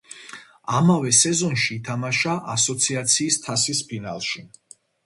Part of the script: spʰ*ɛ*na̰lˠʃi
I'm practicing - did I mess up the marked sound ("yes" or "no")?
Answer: yes